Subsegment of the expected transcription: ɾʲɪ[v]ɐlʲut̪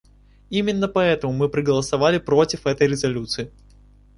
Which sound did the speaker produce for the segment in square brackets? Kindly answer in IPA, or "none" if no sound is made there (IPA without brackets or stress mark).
z